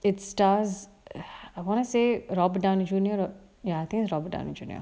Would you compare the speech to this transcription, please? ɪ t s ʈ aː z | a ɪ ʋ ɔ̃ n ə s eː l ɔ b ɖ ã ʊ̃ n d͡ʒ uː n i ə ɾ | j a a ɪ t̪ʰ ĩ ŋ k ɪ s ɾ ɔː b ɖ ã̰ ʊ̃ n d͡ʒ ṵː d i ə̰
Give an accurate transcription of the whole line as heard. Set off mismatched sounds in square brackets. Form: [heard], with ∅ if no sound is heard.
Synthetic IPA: ɪ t s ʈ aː z | a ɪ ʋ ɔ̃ n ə s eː [ɾ] ɔ b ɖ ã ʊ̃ n d͡ʒ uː n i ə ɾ | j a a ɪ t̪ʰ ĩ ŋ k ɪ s ɾ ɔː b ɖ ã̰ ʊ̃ n d͡ʒ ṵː [n] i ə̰